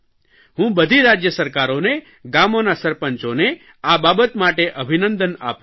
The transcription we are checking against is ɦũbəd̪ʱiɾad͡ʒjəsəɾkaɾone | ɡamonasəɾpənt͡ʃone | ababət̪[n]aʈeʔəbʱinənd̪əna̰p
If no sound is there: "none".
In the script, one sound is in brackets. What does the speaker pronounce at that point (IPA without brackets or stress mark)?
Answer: m